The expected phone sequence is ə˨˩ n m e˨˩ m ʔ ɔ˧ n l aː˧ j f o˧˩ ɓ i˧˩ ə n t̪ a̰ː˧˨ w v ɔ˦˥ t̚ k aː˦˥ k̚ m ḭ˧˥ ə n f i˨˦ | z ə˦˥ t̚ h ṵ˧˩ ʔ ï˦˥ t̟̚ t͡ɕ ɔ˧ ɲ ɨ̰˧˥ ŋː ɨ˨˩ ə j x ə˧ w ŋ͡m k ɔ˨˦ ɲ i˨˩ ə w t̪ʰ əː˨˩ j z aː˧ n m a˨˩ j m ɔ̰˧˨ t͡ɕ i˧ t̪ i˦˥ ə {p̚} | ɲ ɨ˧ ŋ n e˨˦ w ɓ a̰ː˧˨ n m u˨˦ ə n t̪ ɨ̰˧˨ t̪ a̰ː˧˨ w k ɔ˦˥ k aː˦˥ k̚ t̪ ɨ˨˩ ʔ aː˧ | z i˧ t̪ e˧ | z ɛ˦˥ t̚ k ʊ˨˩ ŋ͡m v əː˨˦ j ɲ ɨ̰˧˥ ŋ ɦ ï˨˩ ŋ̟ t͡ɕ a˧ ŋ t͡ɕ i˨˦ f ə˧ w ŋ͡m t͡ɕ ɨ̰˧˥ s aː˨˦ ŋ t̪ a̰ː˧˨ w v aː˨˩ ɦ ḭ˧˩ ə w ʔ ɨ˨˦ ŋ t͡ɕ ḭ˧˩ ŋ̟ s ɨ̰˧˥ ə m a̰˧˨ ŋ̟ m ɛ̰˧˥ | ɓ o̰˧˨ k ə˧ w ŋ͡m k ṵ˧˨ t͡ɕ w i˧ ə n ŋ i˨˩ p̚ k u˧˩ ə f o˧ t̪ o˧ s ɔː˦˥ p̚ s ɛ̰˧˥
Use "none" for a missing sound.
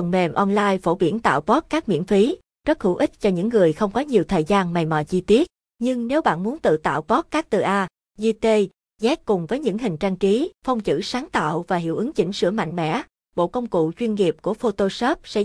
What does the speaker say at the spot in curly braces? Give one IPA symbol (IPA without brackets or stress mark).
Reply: t̚